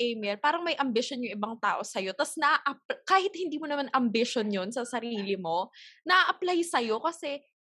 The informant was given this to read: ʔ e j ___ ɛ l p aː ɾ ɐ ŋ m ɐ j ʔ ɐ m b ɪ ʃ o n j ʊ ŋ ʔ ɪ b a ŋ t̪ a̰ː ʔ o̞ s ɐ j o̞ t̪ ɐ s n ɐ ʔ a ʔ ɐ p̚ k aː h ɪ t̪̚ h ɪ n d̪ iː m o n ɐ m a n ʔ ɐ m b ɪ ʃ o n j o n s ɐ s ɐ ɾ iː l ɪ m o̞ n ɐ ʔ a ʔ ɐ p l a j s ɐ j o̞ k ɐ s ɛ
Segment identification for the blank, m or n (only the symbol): m